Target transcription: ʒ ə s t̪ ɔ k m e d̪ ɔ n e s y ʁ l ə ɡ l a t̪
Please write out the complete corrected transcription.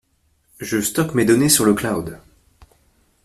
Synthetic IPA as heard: ʒ ə s t̪ ɔ k m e d̪ ɔ n e s y ʁ l ə k l a d̪